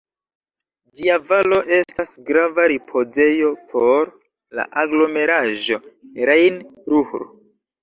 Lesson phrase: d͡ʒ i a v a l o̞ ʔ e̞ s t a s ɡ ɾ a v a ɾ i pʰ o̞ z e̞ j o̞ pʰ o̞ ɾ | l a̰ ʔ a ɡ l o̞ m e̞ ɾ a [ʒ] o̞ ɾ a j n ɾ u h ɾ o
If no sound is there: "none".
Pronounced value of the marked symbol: ʒ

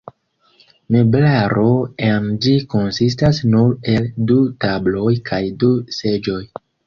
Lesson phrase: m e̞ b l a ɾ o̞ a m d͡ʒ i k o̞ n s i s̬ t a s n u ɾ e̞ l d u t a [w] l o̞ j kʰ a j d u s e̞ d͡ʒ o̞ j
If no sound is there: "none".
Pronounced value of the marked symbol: b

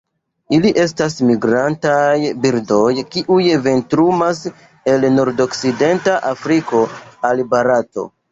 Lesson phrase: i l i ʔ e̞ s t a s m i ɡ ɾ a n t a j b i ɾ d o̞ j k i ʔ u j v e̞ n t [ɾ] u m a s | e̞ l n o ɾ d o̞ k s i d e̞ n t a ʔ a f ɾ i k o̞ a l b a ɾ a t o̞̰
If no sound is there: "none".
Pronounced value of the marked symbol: ɾ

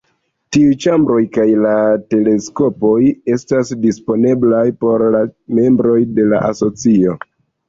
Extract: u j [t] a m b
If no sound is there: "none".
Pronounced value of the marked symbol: t͡ʃ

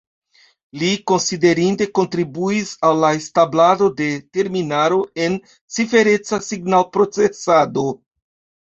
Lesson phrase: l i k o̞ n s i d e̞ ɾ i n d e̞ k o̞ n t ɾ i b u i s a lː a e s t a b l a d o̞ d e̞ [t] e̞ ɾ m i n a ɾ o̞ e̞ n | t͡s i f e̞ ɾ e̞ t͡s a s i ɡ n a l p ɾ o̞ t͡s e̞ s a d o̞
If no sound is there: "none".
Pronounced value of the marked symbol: t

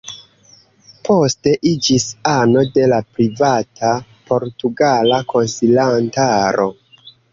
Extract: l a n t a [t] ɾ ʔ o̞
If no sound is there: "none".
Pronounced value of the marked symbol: none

